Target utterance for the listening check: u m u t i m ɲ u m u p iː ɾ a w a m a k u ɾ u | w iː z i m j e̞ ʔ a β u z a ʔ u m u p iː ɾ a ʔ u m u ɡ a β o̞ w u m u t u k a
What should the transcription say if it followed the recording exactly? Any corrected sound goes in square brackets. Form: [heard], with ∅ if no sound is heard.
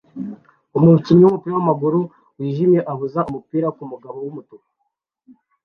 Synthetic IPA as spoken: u m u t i m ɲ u m u p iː ɾ a w a m a [ɡ] u ɾ u | w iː [ʒ] i m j e̞ ʔ a β u z a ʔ u m u p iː ɾ a [k] u m u ɡ a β o̞ w u m u t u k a